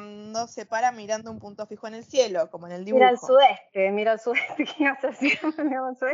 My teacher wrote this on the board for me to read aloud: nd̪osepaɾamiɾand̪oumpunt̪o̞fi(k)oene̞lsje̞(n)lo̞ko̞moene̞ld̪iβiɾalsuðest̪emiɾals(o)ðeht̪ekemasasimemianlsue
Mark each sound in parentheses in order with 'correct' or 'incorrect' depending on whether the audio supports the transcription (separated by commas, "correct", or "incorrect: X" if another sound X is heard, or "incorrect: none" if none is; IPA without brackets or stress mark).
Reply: incorrect: x, incorrect: none, incorrect: u